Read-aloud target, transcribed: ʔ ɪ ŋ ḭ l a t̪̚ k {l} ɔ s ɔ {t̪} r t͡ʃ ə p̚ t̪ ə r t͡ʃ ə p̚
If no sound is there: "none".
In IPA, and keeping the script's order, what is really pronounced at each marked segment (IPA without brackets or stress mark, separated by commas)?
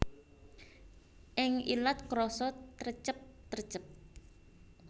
ɾ, t̪